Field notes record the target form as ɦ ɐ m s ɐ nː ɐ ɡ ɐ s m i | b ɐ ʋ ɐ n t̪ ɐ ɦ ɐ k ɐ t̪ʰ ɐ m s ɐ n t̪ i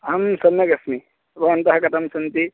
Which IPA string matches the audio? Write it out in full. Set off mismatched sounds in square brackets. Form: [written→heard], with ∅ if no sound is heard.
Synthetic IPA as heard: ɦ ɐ m s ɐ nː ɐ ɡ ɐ s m i | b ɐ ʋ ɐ n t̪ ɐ ɦ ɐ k ɐ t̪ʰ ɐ m s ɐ n t̪ i